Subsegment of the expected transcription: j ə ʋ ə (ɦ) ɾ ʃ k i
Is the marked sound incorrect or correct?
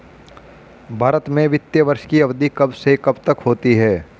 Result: incorrect